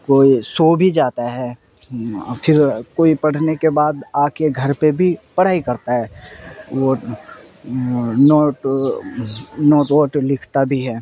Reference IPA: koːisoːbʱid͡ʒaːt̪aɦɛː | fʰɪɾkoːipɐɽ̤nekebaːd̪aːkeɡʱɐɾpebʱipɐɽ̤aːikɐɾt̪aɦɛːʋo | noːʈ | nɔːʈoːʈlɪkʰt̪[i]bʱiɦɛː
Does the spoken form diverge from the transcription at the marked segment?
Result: yes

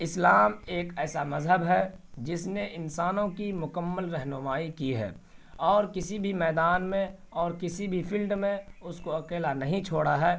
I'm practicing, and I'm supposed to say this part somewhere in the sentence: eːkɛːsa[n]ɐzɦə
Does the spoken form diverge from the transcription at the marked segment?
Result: yes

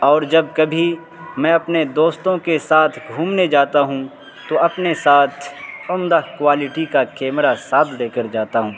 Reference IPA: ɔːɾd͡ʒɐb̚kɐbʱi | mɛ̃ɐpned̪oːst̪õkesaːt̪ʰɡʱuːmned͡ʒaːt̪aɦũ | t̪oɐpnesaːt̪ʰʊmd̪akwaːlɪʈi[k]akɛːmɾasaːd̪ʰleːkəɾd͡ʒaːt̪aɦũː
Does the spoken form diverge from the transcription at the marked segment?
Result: no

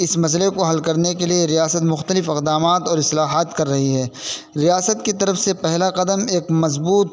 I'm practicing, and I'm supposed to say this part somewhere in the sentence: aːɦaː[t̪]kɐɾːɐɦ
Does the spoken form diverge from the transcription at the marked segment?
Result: no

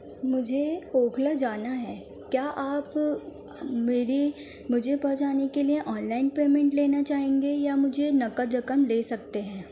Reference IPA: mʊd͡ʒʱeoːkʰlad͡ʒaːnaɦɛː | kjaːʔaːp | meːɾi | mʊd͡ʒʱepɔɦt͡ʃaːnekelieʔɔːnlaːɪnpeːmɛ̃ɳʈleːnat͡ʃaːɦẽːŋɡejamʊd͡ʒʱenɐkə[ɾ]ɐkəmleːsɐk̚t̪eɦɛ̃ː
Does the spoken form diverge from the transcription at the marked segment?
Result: no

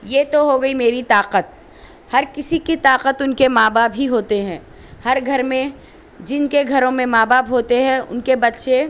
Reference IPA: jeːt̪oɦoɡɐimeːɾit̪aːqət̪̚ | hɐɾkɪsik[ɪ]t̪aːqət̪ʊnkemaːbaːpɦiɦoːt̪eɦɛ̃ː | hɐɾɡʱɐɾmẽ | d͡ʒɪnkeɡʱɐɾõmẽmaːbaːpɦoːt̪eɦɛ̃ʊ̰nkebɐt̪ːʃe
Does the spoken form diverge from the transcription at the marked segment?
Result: yes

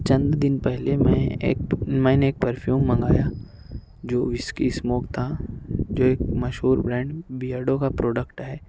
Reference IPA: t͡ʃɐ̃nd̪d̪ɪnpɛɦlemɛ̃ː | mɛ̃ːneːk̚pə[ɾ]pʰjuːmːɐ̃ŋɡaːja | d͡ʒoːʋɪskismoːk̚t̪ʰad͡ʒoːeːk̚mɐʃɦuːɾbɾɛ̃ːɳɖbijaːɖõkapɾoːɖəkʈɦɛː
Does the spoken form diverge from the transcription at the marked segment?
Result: no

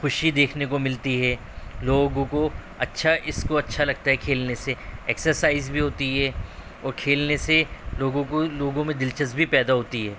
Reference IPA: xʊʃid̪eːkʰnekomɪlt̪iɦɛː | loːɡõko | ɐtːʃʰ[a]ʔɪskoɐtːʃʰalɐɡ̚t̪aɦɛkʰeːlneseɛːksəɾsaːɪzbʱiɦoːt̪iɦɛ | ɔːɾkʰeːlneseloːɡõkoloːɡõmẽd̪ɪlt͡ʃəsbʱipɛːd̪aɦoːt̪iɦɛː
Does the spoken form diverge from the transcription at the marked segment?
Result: no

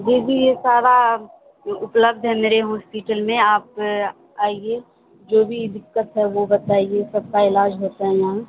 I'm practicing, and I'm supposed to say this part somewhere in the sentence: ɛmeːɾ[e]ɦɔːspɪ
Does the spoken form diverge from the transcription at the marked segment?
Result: no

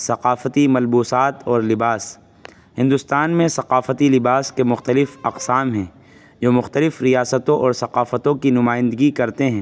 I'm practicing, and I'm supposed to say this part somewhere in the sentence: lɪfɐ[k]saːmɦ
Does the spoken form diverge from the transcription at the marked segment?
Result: yes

